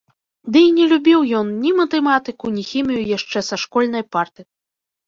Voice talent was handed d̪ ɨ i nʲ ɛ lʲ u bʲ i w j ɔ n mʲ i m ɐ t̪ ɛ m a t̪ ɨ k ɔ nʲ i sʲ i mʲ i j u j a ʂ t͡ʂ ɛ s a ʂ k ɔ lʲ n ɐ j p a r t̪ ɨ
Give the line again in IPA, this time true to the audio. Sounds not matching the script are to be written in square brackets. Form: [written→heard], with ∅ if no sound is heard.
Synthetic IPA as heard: d̪ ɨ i nʲ ɛ lʲ u bʲ i w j ɔ n [mʲ→nʲ] i m ɐ t̪ ɛ m a t̪ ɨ k [ɔ→u] nʲ i [sʲ→xʲ] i mʲ i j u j a ʂ t͡ʂ ɛ s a ʂ k ɔ lʲ n ɐ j p a r t̪ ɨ